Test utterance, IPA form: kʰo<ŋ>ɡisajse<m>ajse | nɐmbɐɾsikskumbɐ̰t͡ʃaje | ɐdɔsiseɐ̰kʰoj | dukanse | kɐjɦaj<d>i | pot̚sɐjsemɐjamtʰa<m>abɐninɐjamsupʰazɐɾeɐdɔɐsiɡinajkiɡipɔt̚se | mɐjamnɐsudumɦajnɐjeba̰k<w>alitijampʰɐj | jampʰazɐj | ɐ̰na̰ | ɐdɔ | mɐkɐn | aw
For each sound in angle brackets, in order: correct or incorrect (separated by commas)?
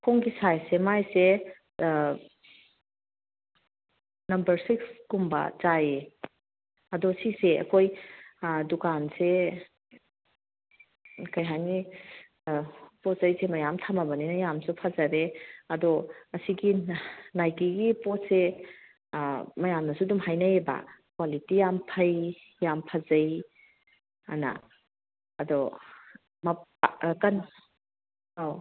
correct, correct, incorrect, correct, correct